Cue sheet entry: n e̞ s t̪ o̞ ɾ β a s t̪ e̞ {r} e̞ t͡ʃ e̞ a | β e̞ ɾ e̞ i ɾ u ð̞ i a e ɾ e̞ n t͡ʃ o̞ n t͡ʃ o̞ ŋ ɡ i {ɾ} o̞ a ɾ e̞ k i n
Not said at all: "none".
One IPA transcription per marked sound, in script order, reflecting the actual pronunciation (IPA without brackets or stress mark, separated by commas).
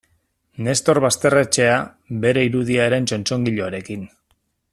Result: r, ʎ